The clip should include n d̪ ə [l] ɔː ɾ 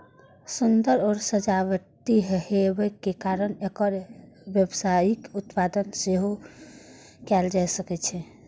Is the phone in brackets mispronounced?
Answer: yes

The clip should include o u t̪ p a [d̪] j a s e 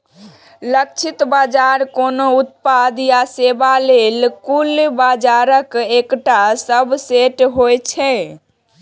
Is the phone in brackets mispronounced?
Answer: no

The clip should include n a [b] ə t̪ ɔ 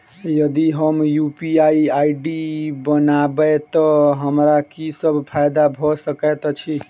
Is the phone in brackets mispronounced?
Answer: no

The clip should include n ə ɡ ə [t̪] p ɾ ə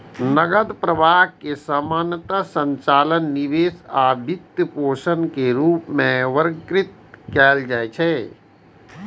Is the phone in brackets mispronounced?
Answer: yes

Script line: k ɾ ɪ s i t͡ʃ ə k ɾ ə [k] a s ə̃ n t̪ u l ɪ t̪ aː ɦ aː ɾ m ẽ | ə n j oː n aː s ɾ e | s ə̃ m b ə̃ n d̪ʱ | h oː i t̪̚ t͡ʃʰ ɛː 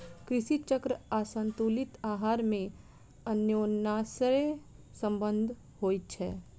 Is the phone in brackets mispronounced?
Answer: yes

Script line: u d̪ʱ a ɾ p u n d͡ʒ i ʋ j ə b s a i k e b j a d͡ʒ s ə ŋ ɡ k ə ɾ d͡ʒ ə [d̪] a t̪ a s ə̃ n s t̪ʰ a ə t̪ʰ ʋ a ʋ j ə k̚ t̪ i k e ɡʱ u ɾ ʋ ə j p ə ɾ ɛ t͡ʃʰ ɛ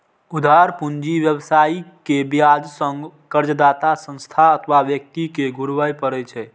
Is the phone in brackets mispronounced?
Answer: no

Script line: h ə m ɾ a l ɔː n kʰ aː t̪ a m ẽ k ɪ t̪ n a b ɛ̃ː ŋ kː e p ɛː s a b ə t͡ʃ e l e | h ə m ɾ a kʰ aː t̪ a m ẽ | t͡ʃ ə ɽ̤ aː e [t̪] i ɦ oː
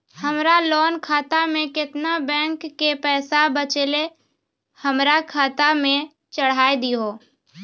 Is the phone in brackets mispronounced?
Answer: yes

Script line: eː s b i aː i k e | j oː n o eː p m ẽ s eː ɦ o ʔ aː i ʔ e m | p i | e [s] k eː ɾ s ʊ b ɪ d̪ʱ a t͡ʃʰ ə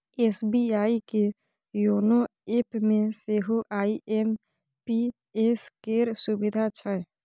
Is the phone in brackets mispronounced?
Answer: no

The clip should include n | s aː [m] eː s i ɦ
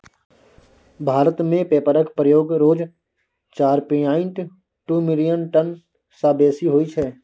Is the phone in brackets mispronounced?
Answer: yes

